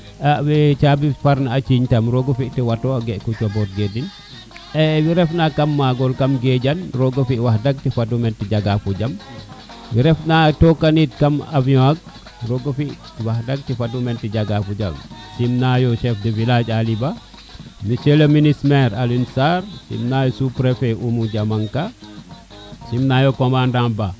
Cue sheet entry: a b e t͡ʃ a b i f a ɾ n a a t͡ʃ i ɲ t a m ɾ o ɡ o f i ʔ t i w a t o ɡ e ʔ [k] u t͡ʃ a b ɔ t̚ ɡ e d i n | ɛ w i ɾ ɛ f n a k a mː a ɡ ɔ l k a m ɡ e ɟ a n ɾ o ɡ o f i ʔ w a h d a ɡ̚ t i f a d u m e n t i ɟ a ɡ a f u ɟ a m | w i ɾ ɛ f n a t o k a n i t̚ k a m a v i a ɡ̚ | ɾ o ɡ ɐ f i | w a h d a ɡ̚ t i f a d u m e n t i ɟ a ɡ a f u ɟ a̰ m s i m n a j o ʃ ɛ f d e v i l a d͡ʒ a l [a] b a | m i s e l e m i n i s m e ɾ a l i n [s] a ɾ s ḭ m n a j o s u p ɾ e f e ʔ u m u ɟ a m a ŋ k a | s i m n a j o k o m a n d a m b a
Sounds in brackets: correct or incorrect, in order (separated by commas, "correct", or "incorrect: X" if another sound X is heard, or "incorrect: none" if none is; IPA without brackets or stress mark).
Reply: correct, incorrect: i, correct